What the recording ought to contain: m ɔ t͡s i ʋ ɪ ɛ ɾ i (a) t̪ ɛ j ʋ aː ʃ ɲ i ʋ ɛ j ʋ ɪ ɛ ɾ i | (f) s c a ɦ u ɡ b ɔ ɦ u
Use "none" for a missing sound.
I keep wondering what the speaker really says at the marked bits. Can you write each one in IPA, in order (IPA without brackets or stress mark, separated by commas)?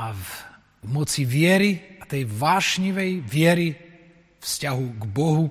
a, f